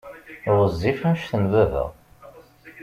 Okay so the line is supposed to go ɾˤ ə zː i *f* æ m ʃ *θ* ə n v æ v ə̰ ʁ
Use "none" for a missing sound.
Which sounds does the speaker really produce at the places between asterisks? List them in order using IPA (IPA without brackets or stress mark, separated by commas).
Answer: f, θ